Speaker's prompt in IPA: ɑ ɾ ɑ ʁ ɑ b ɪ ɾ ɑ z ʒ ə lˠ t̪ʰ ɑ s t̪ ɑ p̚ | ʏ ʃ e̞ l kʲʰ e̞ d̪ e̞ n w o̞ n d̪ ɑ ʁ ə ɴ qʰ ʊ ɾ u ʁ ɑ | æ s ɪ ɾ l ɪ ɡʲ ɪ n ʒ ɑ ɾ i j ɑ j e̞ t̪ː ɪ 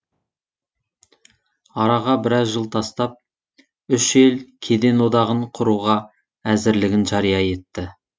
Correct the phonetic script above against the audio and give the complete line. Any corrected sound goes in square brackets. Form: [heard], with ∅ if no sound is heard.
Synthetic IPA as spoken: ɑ ɾ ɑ ʁ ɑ b ɪ ɾ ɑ z ʒ ə lˠ t̪ʰ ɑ s t̪ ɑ p̚ | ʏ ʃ e̞ l kʲʰ e̞ d̪ e̞ n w o̞ [∅] d̪ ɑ ʁ ə ɴ qʰ ʊ ɾ u ʁ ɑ | æ [z] ɪ ɾ l ɪ ɡʲ ɪ n ʒ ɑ ɾ i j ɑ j e̞ t̪ː ɪ

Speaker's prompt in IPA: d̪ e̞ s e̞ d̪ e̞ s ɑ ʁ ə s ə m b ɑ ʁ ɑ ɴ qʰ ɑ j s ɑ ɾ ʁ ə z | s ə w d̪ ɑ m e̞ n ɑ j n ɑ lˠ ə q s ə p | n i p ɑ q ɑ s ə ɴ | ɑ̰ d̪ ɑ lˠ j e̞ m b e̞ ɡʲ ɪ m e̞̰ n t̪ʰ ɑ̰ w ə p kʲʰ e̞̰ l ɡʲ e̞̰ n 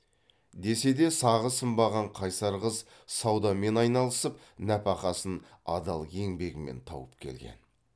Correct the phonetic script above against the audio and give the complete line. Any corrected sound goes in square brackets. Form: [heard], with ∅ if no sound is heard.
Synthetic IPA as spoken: d̪ e̞ s e̞ d̪ e̞ s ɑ ʁ ə s ə m b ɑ ʁ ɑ ɴ qʰ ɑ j s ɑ ɾ ʁ ə z | s [ɑ] w d̪ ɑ m e̞ n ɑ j n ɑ lˠ ə [∅] s ə p | n [æ] p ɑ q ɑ s ə [n] | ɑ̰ d̪ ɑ lˠ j e̞ [ŋ] b e̞ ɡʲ ɪ m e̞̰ n t̪ʰ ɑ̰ w ə p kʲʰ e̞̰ l ɡʲ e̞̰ n

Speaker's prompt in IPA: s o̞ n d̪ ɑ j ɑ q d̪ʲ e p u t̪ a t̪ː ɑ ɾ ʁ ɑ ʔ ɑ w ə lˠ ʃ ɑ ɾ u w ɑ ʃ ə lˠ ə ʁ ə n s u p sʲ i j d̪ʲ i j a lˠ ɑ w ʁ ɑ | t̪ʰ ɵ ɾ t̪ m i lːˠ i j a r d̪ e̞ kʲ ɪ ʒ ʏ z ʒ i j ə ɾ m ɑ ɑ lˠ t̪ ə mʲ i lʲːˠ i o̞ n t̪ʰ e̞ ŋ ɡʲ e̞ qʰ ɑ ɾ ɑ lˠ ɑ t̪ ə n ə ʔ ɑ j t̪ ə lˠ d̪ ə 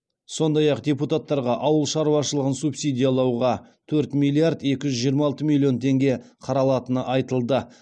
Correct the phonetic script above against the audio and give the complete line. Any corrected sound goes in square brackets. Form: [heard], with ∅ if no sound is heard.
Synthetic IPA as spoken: s o̞ n d̪ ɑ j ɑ q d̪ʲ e p u t̪ a t̪ː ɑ ɾ ʁ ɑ ʔ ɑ w ə lˠ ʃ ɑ ɾ u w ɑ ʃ ə lˠ ə ʁ ə n s u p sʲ i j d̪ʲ i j a lˠ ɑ w ʁ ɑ | t̪ʰ ɵ ɾ t̪ m i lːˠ i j a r d̪ e̞ kʲ ɪ ʒ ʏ z ʒ i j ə ɾ m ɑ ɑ lˠ t̪ ə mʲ i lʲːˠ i o̞ n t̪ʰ e̞ ŋ ɡʲ e̞ qʰ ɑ ɾ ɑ lˠ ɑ t̪ ə n ə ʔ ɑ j t̪ ə lˠ d̪ ə

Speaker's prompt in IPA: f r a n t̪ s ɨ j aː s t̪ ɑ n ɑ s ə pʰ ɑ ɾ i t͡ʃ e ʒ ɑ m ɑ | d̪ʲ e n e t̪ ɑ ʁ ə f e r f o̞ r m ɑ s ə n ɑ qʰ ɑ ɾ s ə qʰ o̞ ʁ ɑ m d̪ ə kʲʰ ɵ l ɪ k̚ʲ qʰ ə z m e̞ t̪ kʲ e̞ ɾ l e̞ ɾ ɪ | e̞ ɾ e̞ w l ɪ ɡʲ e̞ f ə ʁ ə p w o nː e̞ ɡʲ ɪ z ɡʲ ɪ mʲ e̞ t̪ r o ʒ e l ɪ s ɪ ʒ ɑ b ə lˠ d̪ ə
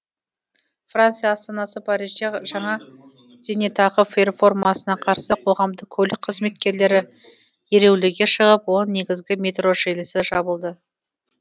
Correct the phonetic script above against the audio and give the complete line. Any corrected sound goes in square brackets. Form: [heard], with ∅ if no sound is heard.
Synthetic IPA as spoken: f r a n t̪ s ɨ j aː s t̪ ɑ n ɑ s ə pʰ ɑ ɾ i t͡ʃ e ʒ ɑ [ɴ] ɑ | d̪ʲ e n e t̪ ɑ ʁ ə f e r f o̞ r m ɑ s ə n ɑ qʰ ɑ ɾ s ə qʰ o̞ ʁ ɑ m d̪ ə kʲʰ ɵ l ɪ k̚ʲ qʰ ə z m e̞ t̪ kʲ e̞ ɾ l e̞ ɾ ɪ | e̞ ɾ e̞ w l ɪ ɡʲ e̞ [ʃ] ə ʁ ə p w o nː e̞ ɡʲ ɪ z ɡʲ ɪ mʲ e̞ t̪ r o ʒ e l ɪ s ɪ ʒ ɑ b ə lˠ d̪ ə

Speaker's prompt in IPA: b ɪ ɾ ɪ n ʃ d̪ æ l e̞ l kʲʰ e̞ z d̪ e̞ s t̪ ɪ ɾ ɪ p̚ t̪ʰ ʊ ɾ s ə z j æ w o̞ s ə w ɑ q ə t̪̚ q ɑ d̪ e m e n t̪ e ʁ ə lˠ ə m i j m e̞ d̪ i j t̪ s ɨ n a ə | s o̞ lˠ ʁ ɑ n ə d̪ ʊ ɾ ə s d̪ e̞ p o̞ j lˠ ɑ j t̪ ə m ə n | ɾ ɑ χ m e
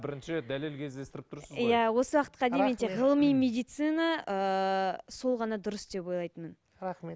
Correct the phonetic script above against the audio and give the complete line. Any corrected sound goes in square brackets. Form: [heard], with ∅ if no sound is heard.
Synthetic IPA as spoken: b ɪ ɾ ɪ n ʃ d̪ æ l e̞ l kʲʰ e̞ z d̪ e̞ s t̪ ɪ ɾ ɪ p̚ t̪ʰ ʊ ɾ s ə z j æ w o̞ s ə w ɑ q ə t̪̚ q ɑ d̪ e m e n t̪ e ʁ ə lˠ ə m i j m e̞ d̪ i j t̪ s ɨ n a ə | s o̞ lˠ ʁ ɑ n [ɑ] d̪ ʊ ɾ ə s d̪ e̞ p o̞ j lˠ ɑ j t̪ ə m ə n | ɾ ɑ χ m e

